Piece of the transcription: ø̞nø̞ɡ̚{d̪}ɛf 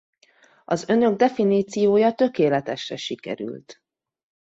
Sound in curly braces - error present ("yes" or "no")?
no